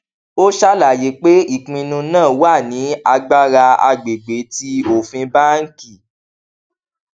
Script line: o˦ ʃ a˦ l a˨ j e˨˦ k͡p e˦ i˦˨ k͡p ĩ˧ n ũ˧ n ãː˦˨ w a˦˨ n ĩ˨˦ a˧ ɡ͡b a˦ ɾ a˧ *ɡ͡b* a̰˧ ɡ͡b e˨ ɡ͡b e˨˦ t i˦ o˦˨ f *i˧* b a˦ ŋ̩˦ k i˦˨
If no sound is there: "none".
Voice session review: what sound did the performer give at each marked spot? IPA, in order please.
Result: none, ĩ˧

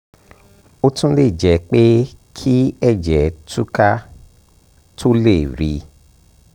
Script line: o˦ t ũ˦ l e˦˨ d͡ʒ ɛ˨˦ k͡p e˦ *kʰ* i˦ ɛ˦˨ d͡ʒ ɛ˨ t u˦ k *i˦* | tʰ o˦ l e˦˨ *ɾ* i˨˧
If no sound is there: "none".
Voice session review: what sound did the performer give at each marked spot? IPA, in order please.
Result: kʰ, a˦, ɾ

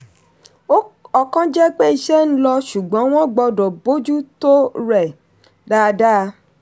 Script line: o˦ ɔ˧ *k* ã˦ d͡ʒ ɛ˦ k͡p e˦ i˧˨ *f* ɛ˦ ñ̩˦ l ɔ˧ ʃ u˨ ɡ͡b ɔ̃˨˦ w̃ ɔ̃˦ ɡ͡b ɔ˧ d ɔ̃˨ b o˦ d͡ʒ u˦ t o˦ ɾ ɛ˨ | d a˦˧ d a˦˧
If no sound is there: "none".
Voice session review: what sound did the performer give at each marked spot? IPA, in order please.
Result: k, ʃ

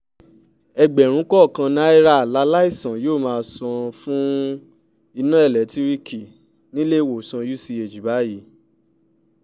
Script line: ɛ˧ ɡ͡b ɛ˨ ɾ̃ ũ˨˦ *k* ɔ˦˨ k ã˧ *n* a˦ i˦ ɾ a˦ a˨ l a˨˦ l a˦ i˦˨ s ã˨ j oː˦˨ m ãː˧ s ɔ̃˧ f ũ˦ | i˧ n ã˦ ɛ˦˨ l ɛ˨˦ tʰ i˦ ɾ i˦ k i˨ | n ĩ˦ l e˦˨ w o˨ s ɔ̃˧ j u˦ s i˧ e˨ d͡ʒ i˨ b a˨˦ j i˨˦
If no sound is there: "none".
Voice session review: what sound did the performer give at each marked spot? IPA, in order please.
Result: k, n

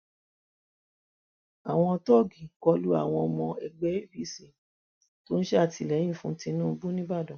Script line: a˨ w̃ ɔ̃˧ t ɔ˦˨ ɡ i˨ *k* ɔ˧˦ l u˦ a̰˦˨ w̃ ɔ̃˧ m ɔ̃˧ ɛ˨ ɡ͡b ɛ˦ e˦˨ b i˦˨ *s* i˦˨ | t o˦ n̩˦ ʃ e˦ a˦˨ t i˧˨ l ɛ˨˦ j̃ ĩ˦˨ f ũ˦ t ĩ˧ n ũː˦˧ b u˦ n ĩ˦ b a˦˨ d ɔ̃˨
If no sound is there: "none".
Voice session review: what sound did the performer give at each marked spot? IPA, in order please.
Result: k, s

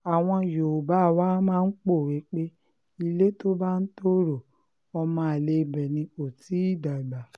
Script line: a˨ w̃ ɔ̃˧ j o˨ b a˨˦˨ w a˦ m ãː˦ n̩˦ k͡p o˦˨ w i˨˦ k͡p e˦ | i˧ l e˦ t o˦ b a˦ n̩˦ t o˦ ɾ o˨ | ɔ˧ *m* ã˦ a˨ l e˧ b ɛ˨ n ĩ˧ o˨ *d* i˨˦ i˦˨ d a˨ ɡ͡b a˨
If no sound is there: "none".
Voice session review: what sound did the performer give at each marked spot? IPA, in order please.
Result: m, t

